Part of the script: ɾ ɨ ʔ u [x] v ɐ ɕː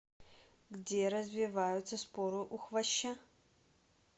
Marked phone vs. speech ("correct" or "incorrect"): correct